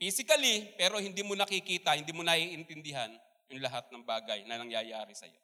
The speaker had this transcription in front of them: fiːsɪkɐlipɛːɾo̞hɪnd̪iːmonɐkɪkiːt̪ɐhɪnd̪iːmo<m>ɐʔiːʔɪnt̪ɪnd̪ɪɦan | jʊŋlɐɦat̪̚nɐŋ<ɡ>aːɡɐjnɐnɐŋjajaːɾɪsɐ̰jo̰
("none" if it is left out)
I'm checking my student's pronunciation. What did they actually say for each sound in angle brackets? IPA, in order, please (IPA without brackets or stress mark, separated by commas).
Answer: n, b